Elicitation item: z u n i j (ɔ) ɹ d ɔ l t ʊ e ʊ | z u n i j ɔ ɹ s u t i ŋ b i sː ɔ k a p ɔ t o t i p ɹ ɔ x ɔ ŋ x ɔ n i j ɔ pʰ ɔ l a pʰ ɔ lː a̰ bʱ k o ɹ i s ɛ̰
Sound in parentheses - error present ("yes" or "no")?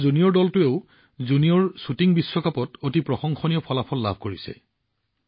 no